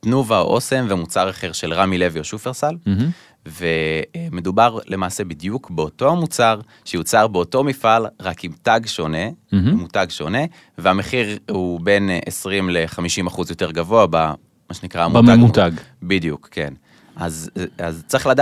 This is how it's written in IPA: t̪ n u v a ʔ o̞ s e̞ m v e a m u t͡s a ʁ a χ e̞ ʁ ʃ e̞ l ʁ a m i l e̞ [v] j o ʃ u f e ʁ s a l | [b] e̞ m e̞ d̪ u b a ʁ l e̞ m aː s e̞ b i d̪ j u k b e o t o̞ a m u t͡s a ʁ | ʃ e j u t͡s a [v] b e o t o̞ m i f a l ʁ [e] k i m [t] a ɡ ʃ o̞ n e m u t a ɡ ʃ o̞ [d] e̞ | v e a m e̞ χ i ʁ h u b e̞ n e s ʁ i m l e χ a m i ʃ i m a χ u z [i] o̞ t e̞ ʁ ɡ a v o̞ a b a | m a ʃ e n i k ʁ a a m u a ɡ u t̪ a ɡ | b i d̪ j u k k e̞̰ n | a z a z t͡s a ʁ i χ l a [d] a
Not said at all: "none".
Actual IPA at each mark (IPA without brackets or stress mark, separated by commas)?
v, v, ʁ, a, t, n, j, d